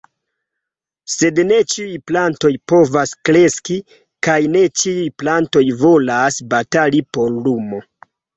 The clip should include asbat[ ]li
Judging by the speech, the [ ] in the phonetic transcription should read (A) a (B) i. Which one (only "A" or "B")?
A